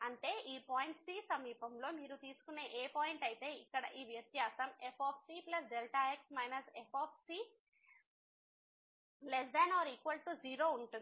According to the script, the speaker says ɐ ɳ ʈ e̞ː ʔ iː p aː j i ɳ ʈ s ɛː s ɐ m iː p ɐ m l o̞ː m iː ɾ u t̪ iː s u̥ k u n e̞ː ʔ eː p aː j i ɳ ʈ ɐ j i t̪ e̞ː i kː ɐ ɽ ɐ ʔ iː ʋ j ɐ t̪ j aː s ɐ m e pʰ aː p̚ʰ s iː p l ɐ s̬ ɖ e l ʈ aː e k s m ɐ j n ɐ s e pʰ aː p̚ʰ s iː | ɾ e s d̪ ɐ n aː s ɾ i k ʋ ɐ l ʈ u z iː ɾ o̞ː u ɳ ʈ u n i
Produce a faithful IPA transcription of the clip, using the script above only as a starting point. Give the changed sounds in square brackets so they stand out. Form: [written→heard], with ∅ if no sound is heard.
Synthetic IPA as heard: ɐ ɳ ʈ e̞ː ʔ iː p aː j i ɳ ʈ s [ɛː→iː] s ɐ m iː p ɐ m l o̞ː m iː ɾ u t̪ iː s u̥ k u n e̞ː ʔ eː p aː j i ɳ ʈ ɐ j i t̪ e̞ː i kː ɐ ɽ ɐ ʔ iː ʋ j ɐ t̪ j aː s ɐ m e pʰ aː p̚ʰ s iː p l ɐ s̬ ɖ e l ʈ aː e k s m ɐ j n ɐ s e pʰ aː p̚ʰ s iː | [ɾ→l] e s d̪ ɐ n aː [s→∅] ɾ i k ʋ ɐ l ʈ u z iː ɾ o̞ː u ɳ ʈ u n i